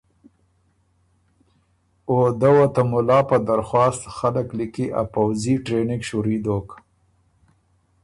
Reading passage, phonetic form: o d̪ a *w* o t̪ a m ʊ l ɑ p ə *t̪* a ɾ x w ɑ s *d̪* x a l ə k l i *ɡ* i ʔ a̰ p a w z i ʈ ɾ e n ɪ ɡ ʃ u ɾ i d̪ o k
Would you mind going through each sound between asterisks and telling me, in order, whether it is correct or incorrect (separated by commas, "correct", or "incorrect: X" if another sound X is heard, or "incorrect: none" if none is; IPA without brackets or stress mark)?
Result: correct, incorrect: d̪, incorrect: t̪, incorrect: k